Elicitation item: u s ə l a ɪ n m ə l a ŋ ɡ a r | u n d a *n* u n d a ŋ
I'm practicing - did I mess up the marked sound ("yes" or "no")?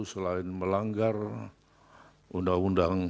yes